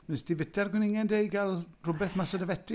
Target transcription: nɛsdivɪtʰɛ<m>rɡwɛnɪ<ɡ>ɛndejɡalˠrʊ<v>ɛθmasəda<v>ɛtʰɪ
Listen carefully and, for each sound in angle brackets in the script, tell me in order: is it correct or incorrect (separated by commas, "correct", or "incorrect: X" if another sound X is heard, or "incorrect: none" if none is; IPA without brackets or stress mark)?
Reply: incorrect: none, incorrect: ŋ, incorrect: b, correct